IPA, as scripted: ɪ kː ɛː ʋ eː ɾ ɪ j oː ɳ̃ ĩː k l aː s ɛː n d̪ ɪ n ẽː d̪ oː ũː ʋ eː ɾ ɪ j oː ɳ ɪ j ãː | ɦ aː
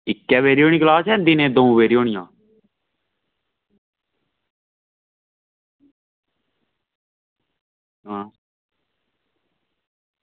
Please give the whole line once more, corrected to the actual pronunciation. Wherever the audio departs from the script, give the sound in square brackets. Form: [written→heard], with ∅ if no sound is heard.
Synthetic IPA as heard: ɪ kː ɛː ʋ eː ɾ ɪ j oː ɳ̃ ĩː k l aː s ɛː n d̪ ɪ n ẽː d̪ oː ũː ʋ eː ɾ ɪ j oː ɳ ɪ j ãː | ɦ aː